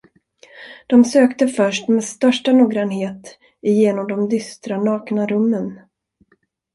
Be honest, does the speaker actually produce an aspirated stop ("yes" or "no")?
no